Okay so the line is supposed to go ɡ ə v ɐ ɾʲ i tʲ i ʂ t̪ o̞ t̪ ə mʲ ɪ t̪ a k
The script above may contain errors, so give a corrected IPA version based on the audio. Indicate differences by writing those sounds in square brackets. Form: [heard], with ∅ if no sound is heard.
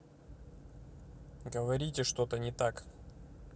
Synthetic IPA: ɡ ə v ɐ ɾʲ i tʲ [ɪ] ʂ t̪ o̞ t̪ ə [nʲ] ɪ t̪ a k